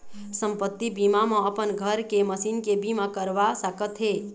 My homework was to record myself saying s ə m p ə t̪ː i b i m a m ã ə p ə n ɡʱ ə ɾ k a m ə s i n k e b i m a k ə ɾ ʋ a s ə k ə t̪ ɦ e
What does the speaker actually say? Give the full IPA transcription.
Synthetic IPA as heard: s ə m p ə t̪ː i b i m a m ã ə p ə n ɡʱ ə ɾ k e m ə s i n k e b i m a k ə ɾ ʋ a s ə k ə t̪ ɦ e